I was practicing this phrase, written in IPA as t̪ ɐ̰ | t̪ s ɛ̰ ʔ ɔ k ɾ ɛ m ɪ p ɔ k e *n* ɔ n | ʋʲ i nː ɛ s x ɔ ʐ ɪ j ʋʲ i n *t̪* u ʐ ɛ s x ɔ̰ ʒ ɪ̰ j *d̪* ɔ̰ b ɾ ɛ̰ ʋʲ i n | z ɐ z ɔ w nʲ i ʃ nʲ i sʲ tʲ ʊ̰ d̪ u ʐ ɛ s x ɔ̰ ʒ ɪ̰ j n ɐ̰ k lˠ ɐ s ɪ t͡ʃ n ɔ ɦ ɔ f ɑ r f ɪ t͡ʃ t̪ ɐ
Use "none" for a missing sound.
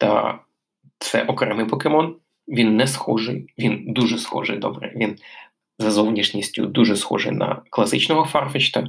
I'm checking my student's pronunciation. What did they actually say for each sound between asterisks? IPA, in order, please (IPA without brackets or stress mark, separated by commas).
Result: m, d̪, d̪